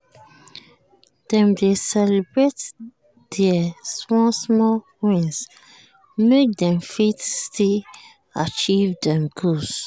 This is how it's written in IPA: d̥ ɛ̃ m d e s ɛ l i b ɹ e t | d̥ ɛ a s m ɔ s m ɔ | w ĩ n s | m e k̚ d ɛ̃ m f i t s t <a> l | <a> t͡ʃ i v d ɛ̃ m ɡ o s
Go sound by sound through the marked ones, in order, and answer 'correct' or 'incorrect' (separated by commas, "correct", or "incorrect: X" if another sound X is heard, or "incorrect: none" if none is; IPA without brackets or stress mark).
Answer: incorrect: i, correct